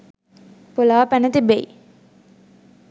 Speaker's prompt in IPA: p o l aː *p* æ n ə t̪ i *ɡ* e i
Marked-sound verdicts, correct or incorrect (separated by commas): correct, incorrect